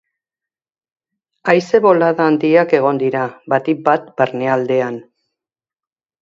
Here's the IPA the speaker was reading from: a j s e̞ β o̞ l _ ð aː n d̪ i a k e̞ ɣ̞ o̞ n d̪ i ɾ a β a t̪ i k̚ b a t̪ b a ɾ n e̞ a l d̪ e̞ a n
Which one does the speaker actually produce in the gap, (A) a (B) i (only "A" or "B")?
A